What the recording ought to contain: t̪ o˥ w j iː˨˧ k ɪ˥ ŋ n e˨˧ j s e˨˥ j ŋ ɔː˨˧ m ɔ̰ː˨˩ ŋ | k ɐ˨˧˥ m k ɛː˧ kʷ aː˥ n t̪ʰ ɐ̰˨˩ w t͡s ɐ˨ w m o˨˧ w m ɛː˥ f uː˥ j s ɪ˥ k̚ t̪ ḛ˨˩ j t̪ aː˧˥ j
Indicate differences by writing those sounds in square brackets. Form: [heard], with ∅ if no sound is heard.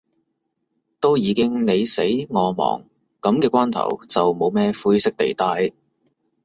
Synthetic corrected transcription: t̪ o˥ w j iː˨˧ k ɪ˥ ŋ n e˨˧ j s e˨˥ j ŋ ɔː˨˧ m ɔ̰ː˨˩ ŋ | k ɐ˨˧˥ m k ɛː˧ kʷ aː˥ n t̪ʰ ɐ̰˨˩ w t͡s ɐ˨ w m o˨˧ w m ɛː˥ f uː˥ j s ɪ˥ k̚ t̪ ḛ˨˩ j t̪ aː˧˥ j